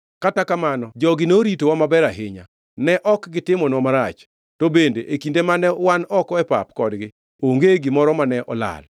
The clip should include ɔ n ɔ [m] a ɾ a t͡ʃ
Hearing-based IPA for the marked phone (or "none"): m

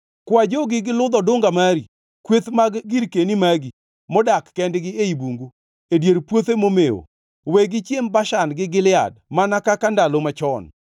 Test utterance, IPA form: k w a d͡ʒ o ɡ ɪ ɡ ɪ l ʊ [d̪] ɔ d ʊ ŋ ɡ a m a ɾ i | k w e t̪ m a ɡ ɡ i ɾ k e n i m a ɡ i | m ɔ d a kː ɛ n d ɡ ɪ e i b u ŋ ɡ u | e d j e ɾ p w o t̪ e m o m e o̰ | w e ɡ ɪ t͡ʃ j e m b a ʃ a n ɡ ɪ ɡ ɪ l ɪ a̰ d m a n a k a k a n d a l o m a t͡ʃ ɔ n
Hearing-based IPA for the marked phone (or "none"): d̪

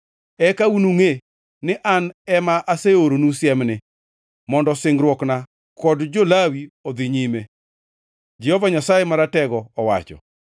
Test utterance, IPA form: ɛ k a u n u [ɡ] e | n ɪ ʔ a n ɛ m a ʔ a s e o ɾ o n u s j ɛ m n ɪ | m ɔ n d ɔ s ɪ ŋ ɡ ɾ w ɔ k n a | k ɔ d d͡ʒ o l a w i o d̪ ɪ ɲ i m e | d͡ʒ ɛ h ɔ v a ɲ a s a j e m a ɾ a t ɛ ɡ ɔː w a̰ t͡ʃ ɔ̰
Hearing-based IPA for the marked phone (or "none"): ŋ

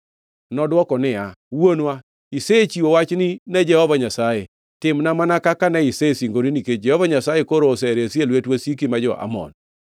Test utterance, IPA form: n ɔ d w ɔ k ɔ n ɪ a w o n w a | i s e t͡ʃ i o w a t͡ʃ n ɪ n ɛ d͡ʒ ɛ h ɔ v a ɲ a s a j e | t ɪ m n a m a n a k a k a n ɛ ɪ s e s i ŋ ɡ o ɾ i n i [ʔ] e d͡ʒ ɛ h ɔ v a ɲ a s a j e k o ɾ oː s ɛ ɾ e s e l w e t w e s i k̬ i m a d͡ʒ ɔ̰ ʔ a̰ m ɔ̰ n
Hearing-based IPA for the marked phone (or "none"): k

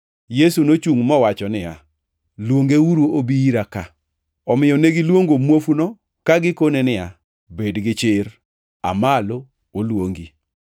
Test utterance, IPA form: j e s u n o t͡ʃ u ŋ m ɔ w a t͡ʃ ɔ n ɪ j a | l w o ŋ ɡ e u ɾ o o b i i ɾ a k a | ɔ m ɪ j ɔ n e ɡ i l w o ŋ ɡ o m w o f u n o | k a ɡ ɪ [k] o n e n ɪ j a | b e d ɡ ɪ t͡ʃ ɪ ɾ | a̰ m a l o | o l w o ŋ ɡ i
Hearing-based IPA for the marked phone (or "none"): k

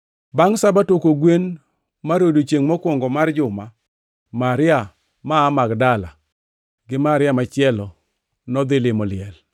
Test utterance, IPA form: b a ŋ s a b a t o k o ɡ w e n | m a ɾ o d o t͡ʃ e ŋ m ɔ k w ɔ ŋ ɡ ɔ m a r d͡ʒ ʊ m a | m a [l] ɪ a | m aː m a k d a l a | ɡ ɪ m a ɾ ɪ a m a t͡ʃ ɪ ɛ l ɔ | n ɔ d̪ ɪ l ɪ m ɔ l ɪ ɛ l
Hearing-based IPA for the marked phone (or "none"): ɾ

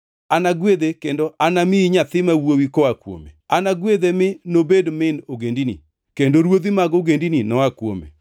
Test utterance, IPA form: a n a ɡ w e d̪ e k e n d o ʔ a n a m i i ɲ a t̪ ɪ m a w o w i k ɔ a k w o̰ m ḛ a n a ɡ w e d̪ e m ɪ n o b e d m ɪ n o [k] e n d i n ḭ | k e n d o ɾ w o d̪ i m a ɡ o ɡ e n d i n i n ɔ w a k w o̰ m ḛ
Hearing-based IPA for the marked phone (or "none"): ɡ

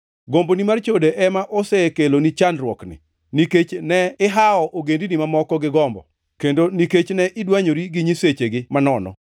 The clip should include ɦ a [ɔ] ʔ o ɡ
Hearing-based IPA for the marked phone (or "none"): ɔ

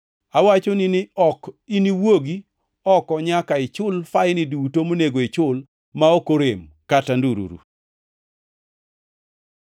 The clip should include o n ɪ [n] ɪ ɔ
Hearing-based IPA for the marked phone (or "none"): n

